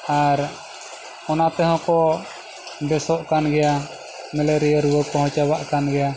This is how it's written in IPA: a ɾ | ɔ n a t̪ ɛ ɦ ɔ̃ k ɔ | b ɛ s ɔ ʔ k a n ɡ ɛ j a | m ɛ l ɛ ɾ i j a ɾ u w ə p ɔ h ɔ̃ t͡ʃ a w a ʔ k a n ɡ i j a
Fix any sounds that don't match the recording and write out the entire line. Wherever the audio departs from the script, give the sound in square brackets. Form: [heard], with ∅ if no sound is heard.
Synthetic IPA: a ɾ | ɔ n a t̪ ɛ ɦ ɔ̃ k ɔ | b ɛ s ɔ ʔ k a n ɡ ɛ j a | m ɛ l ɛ ɾ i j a ɾ u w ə [k] ɔ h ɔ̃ t͡ʃ a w a ʔ k a n ɡ [ɛ] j a